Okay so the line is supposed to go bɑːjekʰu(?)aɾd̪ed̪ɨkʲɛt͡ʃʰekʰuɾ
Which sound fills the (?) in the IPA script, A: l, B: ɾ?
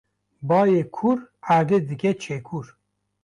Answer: B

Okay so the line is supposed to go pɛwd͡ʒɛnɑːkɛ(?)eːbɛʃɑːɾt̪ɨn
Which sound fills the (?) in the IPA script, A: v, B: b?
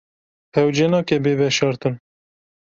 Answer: B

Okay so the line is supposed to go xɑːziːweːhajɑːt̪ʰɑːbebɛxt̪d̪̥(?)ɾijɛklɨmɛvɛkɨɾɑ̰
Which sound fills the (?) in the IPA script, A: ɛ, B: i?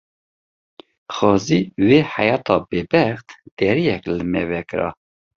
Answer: A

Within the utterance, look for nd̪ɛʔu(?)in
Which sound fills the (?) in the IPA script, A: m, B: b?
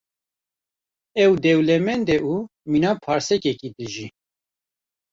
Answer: A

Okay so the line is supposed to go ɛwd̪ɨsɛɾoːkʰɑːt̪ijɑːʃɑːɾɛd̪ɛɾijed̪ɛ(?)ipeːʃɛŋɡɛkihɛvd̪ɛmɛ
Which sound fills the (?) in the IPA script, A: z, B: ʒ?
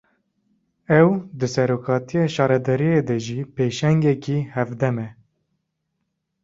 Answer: B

